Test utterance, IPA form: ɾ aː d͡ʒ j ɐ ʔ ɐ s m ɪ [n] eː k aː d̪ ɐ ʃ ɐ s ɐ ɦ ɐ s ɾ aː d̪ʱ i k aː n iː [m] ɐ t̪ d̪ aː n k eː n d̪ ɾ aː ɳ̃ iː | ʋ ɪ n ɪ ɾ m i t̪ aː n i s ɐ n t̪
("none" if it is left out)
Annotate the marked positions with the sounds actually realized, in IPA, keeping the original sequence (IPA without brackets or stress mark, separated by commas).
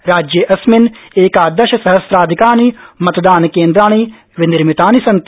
n, m